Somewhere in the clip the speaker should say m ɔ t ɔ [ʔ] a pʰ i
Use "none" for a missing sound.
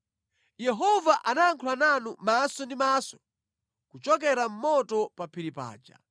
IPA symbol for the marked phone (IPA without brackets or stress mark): p